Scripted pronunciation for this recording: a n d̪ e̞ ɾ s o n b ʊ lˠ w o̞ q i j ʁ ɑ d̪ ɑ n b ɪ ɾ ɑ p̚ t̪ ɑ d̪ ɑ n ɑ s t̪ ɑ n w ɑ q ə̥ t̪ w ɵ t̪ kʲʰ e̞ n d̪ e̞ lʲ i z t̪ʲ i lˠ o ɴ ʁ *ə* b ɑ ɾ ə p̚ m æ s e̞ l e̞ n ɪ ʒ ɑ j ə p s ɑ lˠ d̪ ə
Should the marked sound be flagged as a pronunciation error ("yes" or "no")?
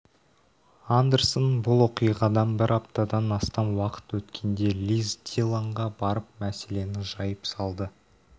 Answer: yes